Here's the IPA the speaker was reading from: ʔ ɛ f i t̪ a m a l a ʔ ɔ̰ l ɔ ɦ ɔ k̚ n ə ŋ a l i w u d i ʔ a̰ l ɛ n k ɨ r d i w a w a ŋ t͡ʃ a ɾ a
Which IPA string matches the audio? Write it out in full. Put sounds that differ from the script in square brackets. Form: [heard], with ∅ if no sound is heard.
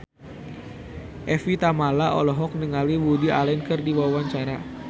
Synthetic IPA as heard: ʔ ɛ f i t̪ a m a l a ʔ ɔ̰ l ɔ ɦ ɔ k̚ n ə ŋ a l i w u d i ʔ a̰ l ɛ n k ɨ r d i w a w a [ɲ] t͡ʃ a ɾ a

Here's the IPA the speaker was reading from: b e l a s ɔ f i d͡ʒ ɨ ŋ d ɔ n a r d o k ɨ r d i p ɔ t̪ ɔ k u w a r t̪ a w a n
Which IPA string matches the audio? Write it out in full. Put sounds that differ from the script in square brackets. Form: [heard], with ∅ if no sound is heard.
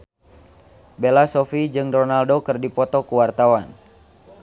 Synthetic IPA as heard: b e l a s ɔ f i d͡ʒ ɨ ŋ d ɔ n a [l] d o k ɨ r d i p ɔ t̪ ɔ k u w a r t̪ a w a n

